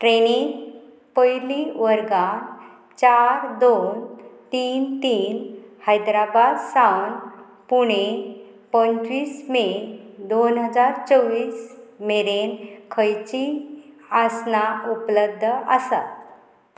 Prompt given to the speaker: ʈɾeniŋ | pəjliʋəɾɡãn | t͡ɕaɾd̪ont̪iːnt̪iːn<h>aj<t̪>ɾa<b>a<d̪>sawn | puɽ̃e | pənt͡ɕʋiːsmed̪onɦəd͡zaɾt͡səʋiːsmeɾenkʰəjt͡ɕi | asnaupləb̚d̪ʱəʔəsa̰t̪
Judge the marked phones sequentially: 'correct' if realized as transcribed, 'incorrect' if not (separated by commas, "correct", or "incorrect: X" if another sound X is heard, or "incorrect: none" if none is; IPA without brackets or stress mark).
correct, incorrect: d̪, correct, correct